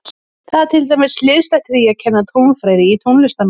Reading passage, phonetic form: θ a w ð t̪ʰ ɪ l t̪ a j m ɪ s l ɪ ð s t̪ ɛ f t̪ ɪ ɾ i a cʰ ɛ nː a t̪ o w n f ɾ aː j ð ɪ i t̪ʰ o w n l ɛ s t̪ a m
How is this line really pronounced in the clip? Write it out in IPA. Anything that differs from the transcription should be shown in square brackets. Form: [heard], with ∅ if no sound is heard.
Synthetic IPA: θ a [∅] ð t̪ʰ ɪ l t̪ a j m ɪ s l ɪ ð s t̪ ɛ [h] t̪ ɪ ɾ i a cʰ ɛ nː a [t̪ʰ] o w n f ɾ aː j ð ɪ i t̪ʰ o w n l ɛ s t̪ a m